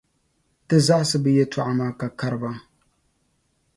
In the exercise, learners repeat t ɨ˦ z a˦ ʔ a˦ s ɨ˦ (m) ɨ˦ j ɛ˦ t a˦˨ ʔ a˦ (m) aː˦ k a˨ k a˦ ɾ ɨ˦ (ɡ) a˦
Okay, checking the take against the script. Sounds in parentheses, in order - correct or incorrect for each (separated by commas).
incorrect, correct, incorrect